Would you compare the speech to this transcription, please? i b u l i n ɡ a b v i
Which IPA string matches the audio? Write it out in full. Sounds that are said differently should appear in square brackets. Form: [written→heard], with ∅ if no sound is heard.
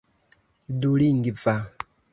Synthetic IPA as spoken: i [b→d] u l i [n→ŋ] ɡ [a→i] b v [i→a]